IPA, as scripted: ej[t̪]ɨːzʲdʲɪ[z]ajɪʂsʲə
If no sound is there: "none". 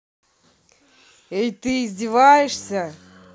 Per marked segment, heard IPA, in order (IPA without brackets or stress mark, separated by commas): t̪, v